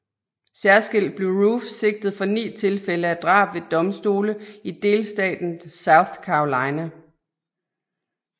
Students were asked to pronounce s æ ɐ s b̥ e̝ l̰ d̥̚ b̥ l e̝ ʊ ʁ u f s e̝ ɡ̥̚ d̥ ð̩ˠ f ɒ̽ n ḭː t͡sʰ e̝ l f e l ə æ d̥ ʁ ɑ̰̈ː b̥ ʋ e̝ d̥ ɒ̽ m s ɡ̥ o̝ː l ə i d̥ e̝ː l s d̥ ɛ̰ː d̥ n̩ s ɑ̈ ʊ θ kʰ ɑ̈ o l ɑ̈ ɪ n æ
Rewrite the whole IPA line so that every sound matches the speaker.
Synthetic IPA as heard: s æ ɐ s ɡ̥ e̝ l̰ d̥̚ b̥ l e̝ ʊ ʁ u f s e̝ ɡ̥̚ d̥ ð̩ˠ f ɒ̽ n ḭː t͡sʰ e̝ l f e l ə æ d̥ ʁ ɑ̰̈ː b̥ ʋ e̝ d̥ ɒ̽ m s d̥ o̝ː l ə i d̥ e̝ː l s d̥ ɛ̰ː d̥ n̩ s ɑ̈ ʊ θ kʰ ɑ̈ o l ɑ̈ ɪ n æ